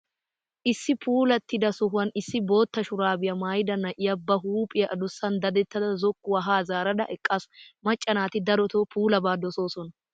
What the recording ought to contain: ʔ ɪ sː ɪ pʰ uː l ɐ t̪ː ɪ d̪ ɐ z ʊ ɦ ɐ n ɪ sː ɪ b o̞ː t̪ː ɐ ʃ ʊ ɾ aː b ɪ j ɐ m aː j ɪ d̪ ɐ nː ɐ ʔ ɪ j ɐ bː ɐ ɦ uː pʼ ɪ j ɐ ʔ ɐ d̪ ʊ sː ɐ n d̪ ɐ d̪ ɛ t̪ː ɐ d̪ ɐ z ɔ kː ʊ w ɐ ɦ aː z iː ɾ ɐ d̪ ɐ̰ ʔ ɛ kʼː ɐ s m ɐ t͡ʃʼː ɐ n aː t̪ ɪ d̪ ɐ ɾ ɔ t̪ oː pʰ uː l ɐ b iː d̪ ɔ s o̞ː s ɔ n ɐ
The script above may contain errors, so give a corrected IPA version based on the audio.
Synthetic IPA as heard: ʔ ɪ sː ɪ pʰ uː l ɐ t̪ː ɪ d̪ ɐ s ʊ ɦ ɐ n ɪ sː ɪ b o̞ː t̪ː ɐ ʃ ʊ ɾ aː b ɪ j ɐ m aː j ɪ d̪ ɐ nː ɐ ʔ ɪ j ɐ bː ɐ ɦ uː pʼ ɪ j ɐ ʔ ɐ d̪ ʊ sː ɐ n d̪ ɐ d̪ ɛ t̪ː ɐ d̪ ɐ z ɔ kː ʊ w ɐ ɦ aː z aː ɾ ɐ d̪ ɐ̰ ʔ ɛ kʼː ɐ s m ɐ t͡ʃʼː ɐ n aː t̪ ɪ d̪ ɐ ɾ ɔ t̪ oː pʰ uː l ɐ b aː d̪ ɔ s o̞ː s ɔ n ɐ